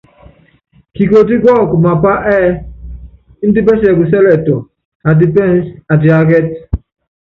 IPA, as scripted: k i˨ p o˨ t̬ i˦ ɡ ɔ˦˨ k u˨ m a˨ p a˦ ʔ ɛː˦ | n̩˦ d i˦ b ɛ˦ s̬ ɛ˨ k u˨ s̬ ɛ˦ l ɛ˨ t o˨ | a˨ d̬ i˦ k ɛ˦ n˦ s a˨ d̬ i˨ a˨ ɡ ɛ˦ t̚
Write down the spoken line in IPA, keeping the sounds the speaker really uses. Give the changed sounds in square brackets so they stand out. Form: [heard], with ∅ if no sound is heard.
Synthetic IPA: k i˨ [k] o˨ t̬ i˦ ɡ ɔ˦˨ k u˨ m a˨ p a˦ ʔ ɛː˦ | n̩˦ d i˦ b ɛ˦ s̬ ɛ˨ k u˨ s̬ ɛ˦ l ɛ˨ t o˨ | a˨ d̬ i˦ [p] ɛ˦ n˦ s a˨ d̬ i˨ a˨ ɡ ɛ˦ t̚